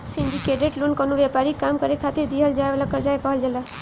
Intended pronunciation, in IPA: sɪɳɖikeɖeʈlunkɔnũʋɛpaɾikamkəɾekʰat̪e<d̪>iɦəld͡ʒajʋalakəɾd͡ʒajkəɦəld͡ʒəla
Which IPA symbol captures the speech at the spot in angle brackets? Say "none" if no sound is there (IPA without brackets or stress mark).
d̪